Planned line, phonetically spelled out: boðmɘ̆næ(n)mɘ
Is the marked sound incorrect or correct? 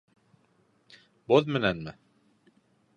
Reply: correct